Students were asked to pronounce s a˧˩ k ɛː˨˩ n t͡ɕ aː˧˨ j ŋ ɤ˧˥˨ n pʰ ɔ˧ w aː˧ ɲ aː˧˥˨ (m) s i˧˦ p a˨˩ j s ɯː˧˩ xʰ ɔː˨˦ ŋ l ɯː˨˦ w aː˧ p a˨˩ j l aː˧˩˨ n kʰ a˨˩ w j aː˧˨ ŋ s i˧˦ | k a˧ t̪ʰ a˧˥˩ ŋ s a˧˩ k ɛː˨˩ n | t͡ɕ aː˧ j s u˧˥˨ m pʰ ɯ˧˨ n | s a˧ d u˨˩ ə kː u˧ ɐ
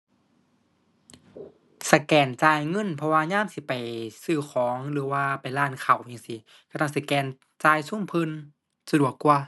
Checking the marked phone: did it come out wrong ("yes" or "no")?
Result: no